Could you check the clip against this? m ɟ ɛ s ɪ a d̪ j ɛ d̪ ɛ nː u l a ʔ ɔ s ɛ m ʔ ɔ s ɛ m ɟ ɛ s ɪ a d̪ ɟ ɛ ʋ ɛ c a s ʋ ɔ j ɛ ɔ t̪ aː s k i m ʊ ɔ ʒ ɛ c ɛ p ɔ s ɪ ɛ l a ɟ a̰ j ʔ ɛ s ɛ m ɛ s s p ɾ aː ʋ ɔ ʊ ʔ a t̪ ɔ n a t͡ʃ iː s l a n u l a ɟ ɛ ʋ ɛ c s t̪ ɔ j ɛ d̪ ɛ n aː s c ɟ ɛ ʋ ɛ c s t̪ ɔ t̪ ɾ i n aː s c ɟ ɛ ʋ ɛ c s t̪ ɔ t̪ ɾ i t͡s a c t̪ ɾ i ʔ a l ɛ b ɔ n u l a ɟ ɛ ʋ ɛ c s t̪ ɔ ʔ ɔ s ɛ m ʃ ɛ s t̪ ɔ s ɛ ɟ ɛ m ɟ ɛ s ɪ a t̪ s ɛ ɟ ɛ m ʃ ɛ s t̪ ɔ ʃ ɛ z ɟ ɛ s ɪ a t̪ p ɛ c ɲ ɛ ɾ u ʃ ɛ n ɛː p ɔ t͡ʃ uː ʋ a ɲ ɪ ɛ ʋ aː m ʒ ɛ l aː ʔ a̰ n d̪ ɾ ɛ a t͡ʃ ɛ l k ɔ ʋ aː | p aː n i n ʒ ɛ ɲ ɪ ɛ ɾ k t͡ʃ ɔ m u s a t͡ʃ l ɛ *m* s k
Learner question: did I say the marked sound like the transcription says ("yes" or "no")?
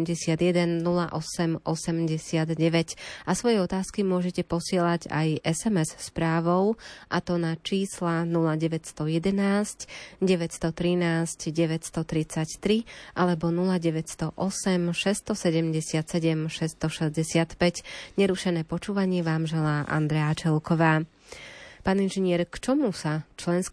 no